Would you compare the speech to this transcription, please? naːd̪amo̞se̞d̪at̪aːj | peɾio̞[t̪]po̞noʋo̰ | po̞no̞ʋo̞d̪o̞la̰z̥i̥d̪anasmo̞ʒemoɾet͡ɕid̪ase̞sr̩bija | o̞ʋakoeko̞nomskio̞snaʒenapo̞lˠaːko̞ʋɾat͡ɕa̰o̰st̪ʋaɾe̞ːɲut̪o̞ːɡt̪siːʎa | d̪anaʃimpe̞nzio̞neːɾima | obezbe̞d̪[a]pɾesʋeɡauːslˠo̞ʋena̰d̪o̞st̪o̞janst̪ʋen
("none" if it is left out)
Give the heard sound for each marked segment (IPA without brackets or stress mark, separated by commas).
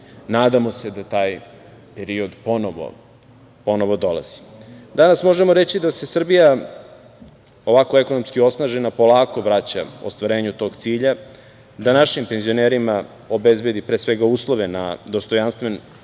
d̪, i